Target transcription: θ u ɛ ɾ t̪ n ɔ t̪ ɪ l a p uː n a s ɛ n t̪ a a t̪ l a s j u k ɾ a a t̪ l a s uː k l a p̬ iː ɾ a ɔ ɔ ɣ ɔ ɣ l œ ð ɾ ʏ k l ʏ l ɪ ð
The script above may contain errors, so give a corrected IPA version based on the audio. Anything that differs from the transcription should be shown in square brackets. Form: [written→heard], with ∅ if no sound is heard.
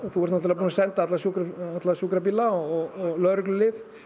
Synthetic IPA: θ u ɛ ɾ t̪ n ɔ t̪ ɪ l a p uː n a s ɛ n t̪ a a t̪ l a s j u k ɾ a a t̪ l a s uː k [l→ɾ] a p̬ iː [ɾ→l] a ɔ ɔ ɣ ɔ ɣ l œ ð ɾ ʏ k l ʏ l ɪ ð